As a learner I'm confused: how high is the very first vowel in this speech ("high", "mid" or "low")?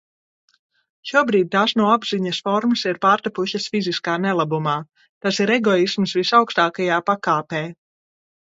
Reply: high